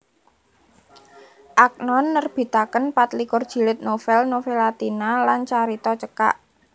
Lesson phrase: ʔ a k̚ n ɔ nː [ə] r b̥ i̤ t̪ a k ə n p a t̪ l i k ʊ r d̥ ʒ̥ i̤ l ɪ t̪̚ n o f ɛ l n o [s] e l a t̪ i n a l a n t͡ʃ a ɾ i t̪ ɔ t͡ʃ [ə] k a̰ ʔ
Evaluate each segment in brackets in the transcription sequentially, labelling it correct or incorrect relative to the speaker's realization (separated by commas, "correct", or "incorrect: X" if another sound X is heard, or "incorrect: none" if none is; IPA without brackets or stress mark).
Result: correct, incorrect: f, correct